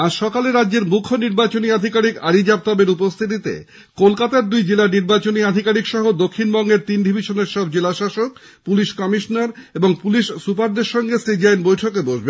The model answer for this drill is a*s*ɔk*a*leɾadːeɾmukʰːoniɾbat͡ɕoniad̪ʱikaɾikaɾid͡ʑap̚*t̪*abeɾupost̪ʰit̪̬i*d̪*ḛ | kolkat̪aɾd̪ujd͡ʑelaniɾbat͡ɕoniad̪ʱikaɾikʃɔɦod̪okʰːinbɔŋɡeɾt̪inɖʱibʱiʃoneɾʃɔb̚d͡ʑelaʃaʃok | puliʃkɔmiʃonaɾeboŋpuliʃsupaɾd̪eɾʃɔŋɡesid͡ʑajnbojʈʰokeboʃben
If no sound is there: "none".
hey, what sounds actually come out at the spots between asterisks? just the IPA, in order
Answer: ʃ, a, t̪, t̪

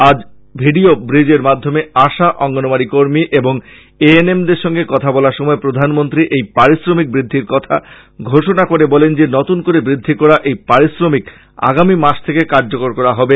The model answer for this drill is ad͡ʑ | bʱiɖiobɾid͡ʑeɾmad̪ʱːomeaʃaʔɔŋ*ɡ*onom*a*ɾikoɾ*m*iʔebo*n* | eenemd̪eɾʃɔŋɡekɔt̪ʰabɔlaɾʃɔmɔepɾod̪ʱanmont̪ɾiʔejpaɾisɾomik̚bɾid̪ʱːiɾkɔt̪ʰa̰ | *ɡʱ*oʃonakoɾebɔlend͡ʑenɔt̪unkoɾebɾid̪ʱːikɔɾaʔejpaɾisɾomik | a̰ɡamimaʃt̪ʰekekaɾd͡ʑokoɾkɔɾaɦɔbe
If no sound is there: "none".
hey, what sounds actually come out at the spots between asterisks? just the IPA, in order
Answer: ɡ, a, m, ŋ, ɡʱ

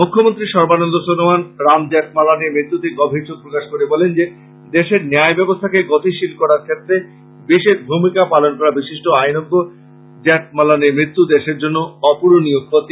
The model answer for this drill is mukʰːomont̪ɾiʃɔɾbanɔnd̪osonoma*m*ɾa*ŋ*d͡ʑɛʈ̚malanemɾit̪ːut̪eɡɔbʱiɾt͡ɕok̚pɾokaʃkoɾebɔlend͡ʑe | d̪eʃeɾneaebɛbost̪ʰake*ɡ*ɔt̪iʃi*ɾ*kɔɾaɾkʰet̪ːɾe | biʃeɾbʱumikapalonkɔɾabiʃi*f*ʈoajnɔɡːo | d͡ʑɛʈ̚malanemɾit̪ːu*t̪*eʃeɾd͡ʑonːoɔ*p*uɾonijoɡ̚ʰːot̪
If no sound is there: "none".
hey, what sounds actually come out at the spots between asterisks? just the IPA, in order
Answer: n, m, ɡ, l, ʃ, d̪, p

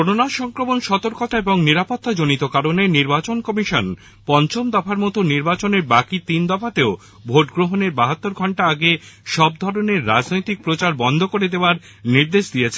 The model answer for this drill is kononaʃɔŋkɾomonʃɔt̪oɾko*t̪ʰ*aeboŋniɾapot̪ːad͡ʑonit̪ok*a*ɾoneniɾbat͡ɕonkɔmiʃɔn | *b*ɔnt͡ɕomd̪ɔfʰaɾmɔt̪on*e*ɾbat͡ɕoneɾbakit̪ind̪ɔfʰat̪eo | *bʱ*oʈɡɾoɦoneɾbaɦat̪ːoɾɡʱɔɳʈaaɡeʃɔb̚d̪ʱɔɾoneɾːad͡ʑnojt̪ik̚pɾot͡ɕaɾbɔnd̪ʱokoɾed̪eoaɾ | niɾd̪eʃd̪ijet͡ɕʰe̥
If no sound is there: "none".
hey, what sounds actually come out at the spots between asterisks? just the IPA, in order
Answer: t̪, a, p, i, bʱ

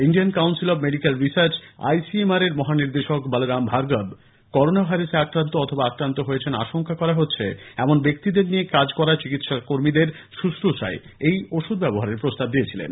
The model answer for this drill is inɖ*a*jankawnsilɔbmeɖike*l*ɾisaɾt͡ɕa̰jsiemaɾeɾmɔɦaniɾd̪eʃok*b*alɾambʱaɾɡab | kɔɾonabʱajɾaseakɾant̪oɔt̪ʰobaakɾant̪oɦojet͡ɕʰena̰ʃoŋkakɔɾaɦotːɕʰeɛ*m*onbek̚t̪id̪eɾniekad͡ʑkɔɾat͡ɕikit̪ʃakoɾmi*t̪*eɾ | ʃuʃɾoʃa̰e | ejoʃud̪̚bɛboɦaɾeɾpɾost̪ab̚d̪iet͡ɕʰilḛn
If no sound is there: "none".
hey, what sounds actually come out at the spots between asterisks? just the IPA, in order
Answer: i, l, b, m, d̪

